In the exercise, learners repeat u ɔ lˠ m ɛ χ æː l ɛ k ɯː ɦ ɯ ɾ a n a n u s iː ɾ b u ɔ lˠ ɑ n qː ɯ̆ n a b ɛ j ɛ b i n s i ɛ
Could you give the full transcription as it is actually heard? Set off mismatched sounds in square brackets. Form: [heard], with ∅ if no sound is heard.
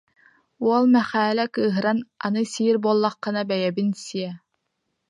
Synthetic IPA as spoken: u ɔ lˠ m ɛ χ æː l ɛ k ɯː ɦ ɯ ɾ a n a n [ɯ] s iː ɾ b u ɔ [lˠː] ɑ [∅] qː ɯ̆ n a b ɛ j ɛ b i n s i ɛ